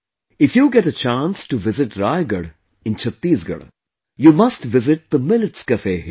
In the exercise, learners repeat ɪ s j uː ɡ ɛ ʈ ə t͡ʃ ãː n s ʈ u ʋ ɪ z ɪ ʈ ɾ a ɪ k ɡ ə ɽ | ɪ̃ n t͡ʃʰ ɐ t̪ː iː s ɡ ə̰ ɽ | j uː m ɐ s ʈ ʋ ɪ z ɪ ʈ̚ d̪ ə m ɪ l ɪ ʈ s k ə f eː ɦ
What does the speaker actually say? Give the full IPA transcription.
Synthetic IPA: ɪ f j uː ɡ ɛ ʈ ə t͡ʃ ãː n s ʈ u ʋ ɪ z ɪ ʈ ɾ a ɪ ɡ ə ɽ | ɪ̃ n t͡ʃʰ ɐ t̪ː iː s ɡ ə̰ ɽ | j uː m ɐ s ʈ ʋ ɪ z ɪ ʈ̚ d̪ ə m ɪ l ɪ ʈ s k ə f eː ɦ